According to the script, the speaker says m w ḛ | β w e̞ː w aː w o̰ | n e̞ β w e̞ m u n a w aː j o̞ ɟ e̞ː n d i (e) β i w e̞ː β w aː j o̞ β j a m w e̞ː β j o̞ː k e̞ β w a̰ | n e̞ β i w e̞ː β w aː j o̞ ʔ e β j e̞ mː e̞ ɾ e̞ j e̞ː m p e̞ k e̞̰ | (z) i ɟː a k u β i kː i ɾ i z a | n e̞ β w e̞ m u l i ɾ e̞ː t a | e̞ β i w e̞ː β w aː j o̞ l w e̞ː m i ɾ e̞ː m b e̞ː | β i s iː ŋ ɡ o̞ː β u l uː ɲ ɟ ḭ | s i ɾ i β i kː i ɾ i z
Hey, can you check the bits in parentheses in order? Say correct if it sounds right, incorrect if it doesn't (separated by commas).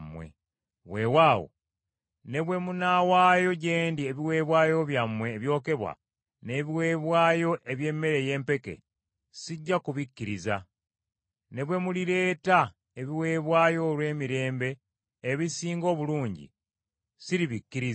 correct, incorrect